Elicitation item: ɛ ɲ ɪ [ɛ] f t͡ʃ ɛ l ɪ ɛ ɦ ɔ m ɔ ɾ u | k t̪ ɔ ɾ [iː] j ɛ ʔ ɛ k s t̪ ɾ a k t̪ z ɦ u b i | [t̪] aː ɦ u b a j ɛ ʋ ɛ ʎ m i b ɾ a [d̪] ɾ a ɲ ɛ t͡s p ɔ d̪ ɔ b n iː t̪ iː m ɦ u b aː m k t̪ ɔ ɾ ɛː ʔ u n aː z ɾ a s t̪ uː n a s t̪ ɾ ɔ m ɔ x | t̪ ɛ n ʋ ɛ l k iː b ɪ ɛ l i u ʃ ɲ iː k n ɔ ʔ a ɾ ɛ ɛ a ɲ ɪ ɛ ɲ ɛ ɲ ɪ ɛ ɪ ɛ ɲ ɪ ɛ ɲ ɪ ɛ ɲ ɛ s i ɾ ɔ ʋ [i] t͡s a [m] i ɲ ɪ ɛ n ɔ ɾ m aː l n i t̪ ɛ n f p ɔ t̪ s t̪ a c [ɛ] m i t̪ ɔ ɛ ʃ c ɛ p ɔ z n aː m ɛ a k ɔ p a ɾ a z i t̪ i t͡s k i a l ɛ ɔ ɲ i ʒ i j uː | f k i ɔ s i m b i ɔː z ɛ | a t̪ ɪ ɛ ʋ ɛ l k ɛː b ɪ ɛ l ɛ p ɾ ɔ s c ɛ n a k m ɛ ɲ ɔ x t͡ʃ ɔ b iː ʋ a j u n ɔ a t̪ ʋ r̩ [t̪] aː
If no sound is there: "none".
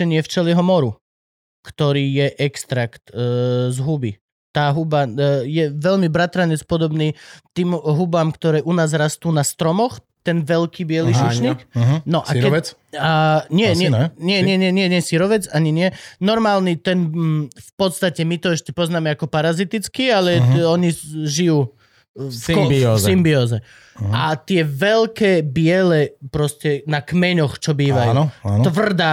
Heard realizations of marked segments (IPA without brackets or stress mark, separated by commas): ɛ, iː, t̪, t̪, ɛ, ɲ, ɛ, d̪